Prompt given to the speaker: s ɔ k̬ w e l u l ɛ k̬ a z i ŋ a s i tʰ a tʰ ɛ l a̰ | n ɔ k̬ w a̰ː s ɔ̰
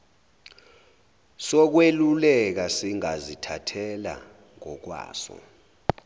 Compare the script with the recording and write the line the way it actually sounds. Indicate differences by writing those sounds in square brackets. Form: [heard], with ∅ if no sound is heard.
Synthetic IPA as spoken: s ɔ k̬ w e l u l ɛ k̬ a [s] i ŋ a [z] i tʰ a tʰ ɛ l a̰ | [ŋ] ɔ k̬ w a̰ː s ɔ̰